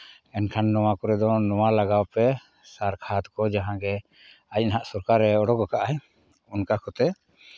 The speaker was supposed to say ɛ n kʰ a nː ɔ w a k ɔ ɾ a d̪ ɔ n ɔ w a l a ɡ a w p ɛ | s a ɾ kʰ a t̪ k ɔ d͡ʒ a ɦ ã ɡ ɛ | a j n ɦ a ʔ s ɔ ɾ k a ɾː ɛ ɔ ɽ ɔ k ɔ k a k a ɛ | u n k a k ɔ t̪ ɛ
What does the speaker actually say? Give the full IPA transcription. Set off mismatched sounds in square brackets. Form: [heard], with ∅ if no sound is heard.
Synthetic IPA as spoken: ɛ n kʰ a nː ɔ w a k ɔ ɾ [ɛ] d̪ ɔ n ɔ w a l a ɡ a w p ɛ | s a ɾ kʰ a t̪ k ɔ d͡ʒ a ɦ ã ɡ ɛ | a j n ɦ a ʔ s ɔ ɾ k a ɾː ɛ ɔ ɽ ɔ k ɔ k a [ʔ] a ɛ | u n k a k ɔ t̪ ɛ